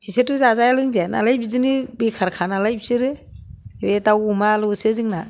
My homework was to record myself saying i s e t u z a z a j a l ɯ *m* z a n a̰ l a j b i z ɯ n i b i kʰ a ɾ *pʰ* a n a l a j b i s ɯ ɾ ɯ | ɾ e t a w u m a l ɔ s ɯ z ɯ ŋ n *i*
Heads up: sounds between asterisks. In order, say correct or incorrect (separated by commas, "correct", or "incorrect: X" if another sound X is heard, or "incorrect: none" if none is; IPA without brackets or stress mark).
incorrect: ŋ, incorrect: kʰ, incorrect: a